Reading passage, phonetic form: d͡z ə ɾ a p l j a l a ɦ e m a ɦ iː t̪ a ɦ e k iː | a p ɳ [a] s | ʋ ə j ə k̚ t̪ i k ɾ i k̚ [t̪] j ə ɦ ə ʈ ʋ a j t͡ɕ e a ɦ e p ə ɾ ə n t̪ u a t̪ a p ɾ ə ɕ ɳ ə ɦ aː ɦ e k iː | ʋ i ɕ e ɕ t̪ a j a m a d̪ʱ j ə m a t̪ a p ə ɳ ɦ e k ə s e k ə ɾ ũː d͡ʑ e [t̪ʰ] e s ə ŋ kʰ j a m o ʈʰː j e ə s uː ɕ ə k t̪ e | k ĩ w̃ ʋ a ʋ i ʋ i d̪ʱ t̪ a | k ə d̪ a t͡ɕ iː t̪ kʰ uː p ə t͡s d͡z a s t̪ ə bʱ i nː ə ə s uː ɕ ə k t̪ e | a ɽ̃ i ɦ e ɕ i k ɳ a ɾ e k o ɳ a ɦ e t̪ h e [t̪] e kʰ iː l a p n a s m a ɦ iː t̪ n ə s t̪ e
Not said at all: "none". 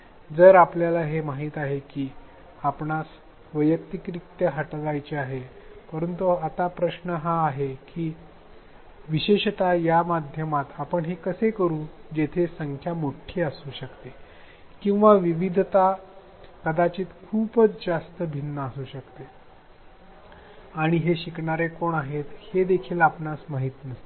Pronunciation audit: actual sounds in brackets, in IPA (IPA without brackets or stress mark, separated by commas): a, t̪, t̪ʰ, d̪